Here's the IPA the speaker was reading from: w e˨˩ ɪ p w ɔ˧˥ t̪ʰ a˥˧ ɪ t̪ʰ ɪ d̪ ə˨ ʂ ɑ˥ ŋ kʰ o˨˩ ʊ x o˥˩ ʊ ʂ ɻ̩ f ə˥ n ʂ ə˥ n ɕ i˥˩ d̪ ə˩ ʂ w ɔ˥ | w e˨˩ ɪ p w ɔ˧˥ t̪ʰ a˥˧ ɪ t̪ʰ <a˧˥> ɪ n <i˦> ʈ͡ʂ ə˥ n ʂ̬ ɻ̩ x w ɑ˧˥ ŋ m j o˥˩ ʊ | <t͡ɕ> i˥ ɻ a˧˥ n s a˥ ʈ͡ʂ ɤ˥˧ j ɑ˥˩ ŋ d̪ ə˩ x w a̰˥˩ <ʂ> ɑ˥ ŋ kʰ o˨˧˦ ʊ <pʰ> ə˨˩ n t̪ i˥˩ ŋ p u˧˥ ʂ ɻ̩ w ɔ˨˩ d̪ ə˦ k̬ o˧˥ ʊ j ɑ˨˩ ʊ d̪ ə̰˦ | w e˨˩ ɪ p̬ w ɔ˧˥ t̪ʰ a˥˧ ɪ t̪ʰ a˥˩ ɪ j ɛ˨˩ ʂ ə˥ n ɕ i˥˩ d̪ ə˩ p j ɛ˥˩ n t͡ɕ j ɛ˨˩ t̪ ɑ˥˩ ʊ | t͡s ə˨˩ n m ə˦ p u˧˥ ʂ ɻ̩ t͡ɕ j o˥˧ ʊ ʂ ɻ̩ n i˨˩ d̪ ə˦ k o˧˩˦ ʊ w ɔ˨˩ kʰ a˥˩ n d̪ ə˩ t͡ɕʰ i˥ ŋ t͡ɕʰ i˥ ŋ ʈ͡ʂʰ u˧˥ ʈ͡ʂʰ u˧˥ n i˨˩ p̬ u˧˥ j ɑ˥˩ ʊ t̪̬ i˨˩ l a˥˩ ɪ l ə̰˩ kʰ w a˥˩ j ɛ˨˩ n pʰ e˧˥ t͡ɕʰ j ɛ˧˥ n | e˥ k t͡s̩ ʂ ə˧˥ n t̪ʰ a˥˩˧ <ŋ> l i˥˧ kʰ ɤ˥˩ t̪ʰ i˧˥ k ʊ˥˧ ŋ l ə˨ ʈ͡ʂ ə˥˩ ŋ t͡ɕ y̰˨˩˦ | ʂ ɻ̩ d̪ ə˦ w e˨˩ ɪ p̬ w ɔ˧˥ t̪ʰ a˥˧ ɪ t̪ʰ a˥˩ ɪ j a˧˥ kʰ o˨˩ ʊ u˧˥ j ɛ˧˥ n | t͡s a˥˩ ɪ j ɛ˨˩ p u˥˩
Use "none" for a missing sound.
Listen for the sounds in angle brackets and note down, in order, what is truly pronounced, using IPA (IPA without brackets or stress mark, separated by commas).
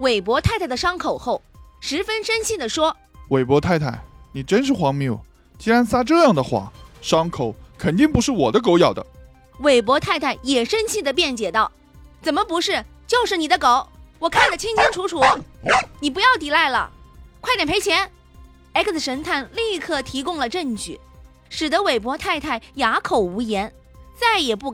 a˥˩, i˨˩, t͡ɕ, ʂ, kʰ, n